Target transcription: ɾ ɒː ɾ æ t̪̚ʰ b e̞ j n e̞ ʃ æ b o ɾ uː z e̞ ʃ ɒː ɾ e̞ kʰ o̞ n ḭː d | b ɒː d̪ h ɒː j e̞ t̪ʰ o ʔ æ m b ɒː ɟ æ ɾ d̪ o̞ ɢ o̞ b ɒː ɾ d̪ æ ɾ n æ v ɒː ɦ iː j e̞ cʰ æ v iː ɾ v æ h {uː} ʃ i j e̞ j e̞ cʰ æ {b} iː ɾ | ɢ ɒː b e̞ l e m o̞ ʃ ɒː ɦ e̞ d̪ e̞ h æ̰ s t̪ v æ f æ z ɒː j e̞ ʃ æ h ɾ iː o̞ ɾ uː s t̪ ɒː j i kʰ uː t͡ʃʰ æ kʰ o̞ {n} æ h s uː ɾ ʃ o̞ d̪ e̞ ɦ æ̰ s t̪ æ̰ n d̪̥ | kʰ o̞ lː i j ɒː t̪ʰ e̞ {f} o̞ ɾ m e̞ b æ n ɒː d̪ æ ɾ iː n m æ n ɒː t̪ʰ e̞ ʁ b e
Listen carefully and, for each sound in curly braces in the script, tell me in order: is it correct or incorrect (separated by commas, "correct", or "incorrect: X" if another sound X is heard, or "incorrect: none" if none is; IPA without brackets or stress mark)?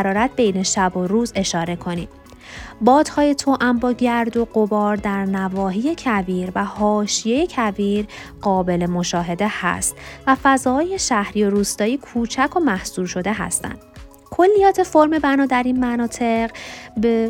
incorrect: ɒː, incorrect: v, incorrect: m, correct